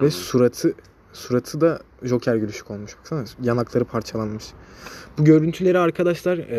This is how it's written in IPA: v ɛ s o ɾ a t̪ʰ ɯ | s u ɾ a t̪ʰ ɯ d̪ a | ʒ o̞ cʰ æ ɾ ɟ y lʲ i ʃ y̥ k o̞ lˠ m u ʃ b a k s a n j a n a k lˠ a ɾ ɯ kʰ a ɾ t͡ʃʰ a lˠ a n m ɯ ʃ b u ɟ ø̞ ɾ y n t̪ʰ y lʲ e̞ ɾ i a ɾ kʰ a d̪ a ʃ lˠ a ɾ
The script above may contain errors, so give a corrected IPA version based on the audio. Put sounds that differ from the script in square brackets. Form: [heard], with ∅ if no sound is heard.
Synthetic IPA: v ɛ s [u] ɾ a t̪ʰ ɯ | s u ɾ a t̪ʰ ɯ d̪ a | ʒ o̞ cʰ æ ɾ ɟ y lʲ [y] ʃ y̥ k o̞ lˠ m u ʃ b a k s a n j a n a k lˠ a ɾ ɯ [pʰ] a ɾ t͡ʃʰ a lˠ a n m ɯ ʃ b u ɟ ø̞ ɾ y n t̪ʰ y lʲ e̞ ɾ i a ɾ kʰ a d̪ a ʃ lˠ a ɾ